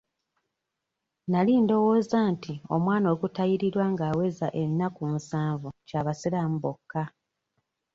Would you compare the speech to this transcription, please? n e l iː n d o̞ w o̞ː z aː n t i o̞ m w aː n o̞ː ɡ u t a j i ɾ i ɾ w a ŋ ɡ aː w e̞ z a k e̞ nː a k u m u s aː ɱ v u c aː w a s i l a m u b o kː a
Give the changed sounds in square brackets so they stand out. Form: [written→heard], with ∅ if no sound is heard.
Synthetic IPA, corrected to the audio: n [e→a] l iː n d o̞ w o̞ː z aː n t i o̞ m w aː n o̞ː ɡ u t a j i ɾ i ɾ w a ŋ ɡ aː w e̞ z a [k→ʔ] e̞ nː a k u m u s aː ɱ v u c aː [w→β] a s i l a m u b o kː a

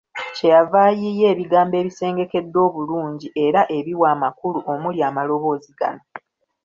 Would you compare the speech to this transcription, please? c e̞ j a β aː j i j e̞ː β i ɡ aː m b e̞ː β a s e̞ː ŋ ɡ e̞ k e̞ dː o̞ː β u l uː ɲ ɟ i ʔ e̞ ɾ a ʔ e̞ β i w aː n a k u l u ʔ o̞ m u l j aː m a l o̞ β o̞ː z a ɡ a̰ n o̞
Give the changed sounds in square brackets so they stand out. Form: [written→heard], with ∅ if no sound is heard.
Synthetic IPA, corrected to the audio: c e̞ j a [β→v] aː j i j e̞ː β i ɡ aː m b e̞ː β [a→i] s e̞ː ŋ ɡ e̞ k e̞ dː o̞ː β u l uː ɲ ɟ i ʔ e̞ ɾ a ʔ e̞ β i w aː [n→m] a k u l u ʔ o̞ m u l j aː m a l o̞ β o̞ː z [a→i] ɡ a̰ n o̞

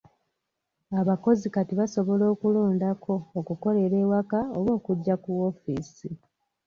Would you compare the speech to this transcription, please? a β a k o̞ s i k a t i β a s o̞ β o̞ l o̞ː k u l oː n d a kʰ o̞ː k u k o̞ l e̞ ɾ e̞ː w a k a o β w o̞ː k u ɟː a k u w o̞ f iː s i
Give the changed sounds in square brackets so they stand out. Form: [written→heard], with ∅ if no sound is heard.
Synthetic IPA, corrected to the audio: a β a k o̞ [s→z] i k a t i β a s o̞ β o̞ l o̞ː k u l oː n d a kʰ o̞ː k u k o̞ l e̞ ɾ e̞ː w a k a o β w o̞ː k u ɟː a k u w o̞ f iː s i

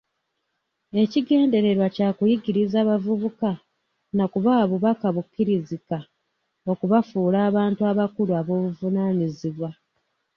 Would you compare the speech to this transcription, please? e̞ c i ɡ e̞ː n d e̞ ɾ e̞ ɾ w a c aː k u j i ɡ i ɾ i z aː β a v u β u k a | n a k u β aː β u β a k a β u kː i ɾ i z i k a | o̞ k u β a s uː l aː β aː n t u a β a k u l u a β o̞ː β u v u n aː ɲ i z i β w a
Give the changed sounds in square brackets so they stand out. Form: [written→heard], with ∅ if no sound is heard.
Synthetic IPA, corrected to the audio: e̞ c i ɡ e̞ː n d e̞ ɾ e̞ ɾ w a c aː k u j i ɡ i ɾ i z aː β a v u β u k a | n a k u β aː β u β a k a β u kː i ɾ i z i k a | o̞ k u β a [s→f] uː l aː β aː n t u a β a k u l u a β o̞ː β u v u n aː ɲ i z i β w a

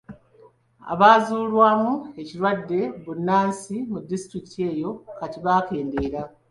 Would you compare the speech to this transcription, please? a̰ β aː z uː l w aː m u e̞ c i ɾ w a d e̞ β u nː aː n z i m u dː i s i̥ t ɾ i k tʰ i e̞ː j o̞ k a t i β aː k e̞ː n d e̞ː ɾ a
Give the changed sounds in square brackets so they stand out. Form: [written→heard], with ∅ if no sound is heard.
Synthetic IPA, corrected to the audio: a̰ β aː z uː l w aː m u e̞ c i ɾ w a [d→dː] e̞ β u nː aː n [z→s] i m u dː i s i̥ t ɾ i k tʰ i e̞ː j o̞ k a t i β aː k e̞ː n d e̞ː ɾ a

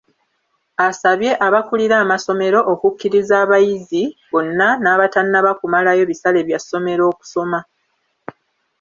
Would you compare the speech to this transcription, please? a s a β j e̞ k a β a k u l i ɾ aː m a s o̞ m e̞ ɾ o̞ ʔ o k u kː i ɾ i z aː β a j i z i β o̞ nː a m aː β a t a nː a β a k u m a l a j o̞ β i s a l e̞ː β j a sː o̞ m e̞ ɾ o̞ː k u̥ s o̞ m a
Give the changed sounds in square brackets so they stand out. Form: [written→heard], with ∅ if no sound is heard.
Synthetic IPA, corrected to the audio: a s a β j e̞ [k→ʔ] a β a k u l i ɾ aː m a s o̞ m e̞ ɾ o̞ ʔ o k u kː i ɾ i z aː β a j i z i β o̞ nː a [m→n] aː β a t a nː a β a k u m a l a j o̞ β i s a l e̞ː β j a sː o̞ m e̞ ɾ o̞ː k u̥ s o̞ m a

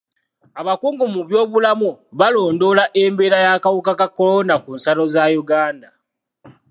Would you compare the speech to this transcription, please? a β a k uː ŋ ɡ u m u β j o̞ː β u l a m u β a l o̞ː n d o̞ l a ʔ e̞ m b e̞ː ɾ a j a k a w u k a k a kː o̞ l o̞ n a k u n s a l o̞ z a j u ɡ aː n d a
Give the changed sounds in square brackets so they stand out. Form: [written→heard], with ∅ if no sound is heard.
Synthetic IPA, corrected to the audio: a β a k uː ŋ ɡ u m u β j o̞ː β u l a m u β a l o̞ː n d o̞ l a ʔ e̞ m b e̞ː ɾ a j a k a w u k a k a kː o̞ l o̞ n a k u n s a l o̞ z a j u ɡ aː n d a

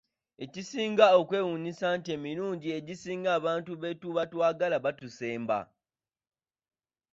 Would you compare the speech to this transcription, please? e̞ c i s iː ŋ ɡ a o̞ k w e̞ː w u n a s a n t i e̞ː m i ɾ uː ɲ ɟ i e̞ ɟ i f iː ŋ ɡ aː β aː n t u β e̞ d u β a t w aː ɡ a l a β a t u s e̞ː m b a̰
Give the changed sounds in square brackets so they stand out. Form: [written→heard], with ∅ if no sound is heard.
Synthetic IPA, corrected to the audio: e̞ c i s iː ŋ ɡ a o̞ k w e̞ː w u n [a→i] s a n t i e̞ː m i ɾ uː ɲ ɟ i e̞ ɟ i [f→s] iː ŋ ɡ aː β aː n t u β e̞ [d→t] u β a t w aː ɡ a l a β a t u s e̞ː m b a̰

